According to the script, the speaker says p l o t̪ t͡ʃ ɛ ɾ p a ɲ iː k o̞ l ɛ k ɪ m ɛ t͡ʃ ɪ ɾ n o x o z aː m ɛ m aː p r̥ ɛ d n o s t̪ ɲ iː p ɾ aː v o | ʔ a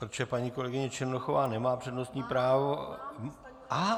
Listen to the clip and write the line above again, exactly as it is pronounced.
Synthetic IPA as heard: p ɾ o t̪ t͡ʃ ɛ p a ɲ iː k o̞ l ɛ ɡ ɪ ɲ ɛ t͡ʃ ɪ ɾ n o x o v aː n ɛ m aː p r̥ ɛ d n o s t̪ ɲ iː p ɾ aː v o | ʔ a